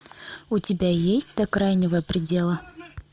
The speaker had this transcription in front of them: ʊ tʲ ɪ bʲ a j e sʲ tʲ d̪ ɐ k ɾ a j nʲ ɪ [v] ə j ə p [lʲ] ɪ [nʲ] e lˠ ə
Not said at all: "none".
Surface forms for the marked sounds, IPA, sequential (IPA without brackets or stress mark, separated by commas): v, ɾʲ, dʲ